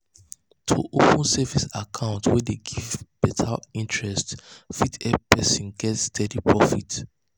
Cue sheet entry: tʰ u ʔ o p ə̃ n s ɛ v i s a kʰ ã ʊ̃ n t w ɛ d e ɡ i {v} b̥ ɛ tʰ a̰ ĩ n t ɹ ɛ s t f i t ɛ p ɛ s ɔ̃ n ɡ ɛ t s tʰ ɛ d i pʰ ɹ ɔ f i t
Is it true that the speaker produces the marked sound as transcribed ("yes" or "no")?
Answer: yes